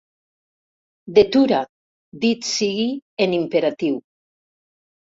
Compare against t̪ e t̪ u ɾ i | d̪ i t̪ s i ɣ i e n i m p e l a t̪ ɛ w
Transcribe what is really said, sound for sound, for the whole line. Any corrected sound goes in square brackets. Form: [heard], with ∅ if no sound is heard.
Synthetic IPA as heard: [d̪] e t̪ u ɾ [a] | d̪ i t̪ s i ɣ i e n i m p e [ɾ] a t̪ [i] w